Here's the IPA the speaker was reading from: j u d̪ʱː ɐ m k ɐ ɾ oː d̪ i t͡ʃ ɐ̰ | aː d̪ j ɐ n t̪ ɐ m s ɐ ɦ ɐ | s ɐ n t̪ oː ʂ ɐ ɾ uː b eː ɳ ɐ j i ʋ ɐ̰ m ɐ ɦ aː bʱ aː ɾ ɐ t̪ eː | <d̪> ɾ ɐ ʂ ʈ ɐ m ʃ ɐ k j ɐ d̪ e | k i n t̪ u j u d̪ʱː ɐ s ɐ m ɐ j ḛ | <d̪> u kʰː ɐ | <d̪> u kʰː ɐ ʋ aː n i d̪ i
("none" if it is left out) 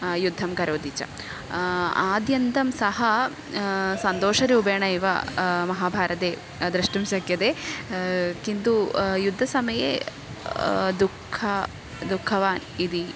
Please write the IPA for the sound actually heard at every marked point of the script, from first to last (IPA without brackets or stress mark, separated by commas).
d̪, d̪, d̪